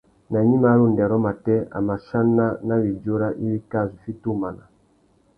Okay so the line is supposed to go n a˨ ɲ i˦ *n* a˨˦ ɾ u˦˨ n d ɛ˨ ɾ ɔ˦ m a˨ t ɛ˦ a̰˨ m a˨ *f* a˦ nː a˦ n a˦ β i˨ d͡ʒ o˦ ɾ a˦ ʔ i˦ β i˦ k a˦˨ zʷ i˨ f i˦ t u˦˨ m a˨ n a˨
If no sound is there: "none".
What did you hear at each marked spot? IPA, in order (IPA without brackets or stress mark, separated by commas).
m, ʃ